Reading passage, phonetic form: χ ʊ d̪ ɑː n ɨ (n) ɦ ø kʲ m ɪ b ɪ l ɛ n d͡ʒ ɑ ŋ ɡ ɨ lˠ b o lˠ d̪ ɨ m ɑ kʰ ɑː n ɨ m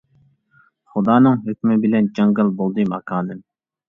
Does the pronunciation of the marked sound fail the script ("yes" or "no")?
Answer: yes